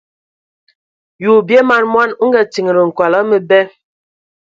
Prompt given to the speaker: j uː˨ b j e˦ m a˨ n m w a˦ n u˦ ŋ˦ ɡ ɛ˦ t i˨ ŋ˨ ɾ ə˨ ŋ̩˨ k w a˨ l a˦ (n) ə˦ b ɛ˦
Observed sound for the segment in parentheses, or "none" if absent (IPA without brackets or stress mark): m